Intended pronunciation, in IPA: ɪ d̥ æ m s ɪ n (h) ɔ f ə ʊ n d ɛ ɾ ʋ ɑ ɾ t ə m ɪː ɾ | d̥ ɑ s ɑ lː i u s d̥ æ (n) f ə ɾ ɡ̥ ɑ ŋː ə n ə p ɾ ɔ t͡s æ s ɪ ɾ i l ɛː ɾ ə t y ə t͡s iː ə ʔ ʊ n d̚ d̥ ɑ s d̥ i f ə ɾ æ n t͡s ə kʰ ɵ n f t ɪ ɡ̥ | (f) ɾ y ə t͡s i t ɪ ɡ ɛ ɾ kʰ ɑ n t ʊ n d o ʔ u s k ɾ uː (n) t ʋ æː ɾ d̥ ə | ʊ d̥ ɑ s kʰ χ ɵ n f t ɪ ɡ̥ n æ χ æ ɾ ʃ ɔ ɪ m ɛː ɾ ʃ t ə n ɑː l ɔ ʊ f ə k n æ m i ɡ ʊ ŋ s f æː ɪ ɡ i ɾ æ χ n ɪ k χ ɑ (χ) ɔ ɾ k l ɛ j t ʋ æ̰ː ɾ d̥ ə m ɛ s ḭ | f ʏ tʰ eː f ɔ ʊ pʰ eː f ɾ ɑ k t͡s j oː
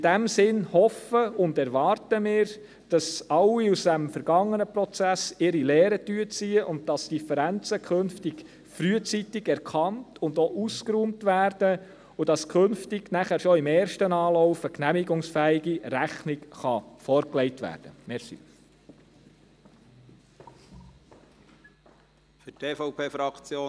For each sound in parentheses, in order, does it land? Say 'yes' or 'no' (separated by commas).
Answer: yes, no, yes, no, no